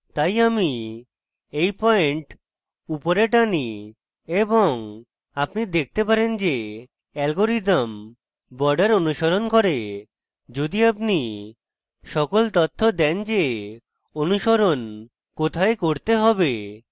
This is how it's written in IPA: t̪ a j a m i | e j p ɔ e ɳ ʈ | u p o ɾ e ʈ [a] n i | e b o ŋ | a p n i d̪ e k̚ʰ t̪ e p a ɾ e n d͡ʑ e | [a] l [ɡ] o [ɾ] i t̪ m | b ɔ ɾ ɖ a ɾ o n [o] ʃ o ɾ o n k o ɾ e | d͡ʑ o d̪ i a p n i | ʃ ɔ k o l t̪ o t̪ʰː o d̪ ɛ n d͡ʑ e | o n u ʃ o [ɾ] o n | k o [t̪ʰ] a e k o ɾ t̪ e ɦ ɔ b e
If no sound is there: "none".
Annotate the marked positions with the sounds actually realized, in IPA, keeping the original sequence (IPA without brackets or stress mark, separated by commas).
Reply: a, ɛ, ɡ, ɾ, u, ɾ, t̪ʰ